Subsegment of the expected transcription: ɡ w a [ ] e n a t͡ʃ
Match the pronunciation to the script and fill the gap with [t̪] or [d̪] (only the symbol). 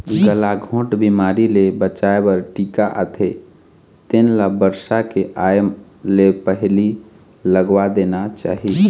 d̪